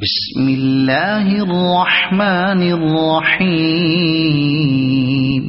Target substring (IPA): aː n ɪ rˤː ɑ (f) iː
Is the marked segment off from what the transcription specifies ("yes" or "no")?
yes